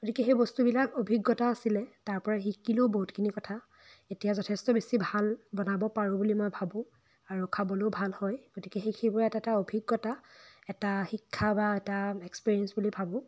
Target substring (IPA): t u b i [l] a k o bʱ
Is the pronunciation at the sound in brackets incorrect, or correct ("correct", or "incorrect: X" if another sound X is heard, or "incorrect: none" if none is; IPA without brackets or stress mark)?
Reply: correct